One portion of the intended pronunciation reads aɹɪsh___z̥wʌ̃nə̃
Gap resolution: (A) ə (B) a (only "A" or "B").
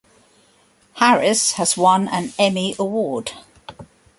A